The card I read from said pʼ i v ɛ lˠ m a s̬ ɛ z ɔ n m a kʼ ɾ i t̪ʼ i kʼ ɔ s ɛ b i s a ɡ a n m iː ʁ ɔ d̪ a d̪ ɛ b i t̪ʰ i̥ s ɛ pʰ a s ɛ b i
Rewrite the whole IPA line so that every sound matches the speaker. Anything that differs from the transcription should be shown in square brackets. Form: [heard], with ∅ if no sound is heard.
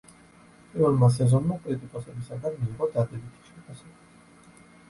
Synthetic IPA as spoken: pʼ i v ɛ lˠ m a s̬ ɛ z ɔ n m a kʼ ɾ i t̪ʼ i kʼ ɔ s ɛ b i s a ɡ a n m iː ʁ ɔ d̪ a d̪ ɛ b i t̪ʰ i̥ [ʃ] ɛ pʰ a s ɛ b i

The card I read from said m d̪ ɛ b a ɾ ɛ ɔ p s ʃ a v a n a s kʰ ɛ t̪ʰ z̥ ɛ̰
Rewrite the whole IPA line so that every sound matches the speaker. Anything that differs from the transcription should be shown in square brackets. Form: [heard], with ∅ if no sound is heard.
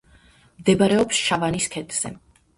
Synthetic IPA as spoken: m d̪ ɛ b a ɾ ɛ ɔ p s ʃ a v a n [i] s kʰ ɛ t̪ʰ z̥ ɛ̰

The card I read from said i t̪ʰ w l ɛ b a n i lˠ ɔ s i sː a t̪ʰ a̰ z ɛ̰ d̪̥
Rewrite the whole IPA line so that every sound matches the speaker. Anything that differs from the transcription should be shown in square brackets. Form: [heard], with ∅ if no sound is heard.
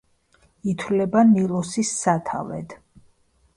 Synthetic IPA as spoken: i t̪ʰ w l ɛ b a n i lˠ ɔ s i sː a t̪ʰ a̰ [v] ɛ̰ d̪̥

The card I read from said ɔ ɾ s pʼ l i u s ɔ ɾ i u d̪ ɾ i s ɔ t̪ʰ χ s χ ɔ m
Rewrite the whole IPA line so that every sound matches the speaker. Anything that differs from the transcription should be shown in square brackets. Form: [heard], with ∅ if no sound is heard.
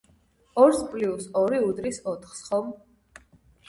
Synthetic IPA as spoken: ɔ ɾ s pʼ l i u s ɔ ɾ i u d̪ ɾ i s ɔ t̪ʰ χ s χ ɔ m

